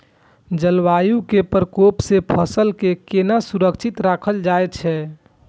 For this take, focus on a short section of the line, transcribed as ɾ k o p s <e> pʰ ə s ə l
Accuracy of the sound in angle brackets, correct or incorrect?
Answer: correct